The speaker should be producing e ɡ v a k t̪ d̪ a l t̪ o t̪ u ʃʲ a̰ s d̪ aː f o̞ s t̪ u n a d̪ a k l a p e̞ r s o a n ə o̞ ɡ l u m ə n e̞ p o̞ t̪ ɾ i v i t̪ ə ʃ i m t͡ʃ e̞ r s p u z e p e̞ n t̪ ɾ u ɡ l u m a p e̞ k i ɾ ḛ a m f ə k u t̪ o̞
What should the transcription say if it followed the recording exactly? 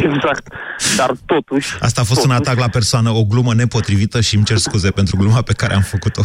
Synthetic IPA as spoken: e ɡ z a k t̪ d̪ a r t̪ o t̪ u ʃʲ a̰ s t̪ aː f o̞ s t̪ u n a t̪ a k l a p e̞ r s o a n ə o̞ ɡ l u m ə n e̞ p o̞ t̪ ɾ i v i t̪ ə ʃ i m t͡ʃ e̞ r s k u z e p e̞ n t̪ ɾ u ɡ l u m a p e̞ k a ɾ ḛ a m f ə k u t̪ o̞